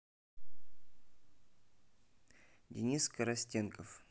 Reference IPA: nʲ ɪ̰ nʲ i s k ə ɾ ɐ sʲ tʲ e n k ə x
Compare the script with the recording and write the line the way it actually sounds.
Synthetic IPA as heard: dʲ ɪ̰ nʲ i s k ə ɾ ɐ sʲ tʲ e n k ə f